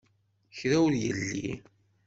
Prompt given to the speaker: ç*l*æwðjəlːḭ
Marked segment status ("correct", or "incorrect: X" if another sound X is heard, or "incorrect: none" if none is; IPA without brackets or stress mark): incorrect: ɾ